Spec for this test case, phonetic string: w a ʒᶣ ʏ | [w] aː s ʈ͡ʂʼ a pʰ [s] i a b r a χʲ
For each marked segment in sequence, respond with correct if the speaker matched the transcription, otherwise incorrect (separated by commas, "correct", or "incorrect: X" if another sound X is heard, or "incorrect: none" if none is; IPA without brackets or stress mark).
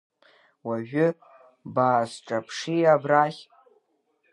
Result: incorrect: b, incorrect: ʂ